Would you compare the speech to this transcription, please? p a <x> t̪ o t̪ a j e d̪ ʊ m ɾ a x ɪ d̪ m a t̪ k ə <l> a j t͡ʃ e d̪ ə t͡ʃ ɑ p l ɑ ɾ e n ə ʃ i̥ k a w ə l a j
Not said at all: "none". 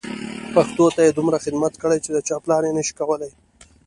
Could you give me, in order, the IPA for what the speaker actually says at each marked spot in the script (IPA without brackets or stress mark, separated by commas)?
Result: x, ɽ